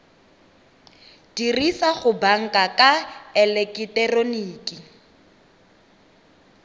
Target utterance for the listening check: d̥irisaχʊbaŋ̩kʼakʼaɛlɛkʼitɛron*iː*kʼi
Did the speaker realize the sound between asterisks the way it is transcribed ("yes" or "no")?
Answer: yes